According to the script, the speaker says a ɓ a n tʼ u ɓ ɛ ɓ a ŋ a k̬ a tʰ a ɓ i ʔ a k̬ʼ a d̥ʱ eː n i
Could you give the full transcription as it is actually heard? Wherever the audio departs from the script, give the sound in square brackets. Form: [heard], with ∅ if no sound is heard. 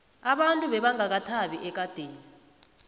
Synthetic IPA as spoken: a ɓ a n tʼ u ɓ ɛ ɓ a ŋ a k̬ a tʰ a ɓ i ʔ [ɛ] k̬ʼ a d̥ʱ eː n i